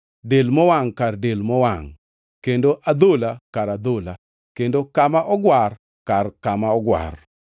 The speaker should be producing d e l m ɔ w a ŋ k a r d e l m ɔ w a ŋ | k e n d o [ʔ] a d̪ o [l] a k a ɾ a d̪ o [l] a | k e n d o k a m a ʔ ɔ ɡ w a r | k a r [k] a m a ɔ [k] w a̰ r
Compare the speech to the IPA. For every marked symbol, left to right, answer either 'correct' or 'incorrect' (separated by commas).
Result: correct, correct, correct, correct, incorrect